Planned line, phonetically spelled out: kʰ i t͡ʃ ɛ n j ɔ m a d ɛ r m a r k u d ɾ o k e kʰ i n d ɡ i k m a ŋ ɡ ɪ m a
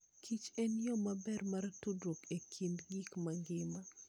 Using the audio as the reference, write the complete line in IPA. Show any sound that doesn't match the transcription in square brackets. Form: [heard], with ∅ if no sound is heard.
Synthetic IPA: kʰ i t͡ʃ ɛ n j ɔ m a [b] ɛ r m a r [t] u d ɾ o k e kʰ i n d ɡ i k m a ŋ ɡ ɪ m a